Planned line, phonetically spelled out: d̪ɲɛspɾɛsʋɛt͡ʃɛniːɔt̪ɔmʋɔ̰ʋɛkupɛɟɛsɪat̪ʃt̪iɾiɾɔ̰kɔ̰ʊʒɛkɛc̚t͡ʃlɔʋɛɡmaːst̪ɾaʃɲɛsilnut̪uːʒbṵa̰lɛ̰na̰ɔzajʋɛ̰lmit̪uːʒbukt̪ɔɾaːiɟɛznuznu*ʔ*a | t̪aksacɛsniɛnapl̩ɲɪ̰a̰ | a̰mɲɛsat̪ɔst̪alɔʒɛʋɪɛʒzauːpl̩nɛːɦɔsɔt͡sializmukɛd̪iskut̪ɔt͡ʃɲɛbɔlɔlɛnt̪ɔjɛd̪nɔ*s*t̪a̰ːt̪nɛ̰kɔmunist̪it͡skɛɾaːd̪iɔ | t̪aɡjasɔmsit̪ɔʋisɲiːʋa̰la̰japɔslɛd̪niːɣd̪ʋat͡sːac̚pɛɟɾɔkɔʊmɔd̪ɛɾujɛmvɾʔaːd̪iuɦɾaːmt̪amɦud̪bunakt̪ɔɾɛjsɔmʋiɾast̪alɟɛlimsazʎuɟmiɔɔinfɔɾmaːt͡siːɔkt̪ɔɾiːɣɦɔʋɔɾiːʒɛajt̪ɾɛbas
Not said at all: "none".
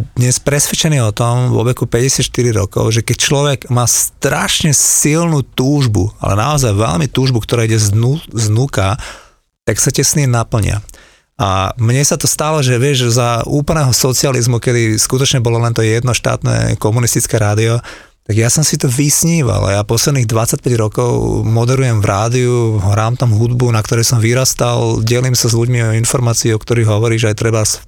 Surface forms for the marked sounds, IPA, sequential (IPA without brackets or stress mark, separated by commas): k, ʃ